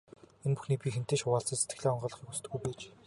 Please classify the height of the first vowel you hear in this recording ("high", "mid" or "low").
mid